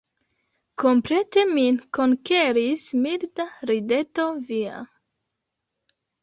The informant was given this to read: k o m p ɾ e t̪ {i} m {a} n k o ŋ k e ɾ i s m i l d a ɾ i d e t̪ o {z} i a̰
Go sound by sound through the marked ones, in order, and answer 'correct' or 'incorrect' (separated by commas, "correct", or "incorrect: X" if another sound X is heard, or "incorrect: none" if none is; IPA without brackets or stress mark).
incorrect: e, incorrect: i, incorrect: v